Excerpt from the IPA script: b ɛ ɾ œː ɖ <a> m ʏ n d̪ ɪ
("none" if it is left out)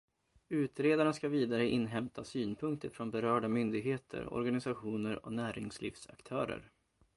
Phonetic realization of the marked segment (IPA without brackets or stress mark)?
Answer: a